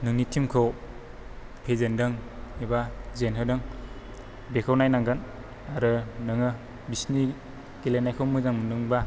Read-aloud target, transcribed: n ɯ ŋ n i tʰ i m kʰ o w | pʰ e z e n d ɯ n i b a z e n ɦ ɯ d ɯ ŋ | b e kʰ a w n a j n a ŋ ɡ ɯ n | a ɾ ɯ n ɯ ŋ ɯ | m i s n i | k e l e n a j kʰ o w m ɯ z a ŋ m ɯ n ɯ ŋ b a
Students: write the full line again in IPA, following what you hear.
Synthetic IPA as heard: n ɯ ŋ n i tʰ i m kʰ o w | pʰ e z e n d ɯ ŋ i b a z e n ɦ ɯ d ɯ ŋ | b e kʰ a w n a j n a ŋ ɡ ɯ n | a ɾ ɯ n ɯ ŋ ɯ | b i s n i | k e l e n a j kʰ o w m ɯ z a ŋ m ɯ n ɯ ŋ b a